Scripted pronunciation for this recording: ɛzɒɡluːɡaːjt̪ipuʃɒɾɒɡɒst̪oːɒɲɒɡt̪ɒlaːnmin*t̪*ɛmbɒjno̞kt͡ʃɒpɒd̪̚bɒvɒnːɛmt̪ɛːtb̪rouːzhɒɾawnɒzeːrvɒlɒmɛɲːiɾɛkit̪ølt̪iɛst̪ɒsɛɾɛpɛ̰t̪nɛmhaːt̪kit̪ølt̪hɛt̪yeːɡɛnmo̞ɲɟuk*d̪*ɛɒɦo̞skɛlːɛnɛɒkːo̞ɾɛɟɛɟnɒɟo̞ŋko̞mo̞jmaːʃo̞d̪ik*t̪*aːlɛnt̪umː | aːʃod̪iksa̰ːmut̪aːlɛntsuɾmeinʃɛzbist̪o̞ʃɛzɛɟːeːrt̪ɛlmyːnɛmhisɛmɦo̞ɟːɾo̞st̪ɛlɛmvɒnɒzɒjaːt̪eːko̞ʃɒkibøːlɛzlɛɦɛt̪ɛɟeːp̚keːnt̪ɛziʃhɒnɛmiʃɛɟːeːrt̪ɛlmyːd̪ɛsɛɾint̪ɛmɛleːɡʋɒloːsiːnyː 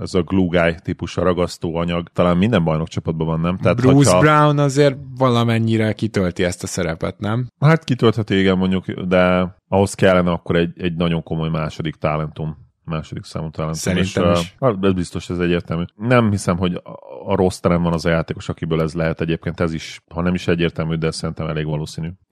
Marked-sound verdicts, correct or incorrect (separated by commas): incorrect, correct, correct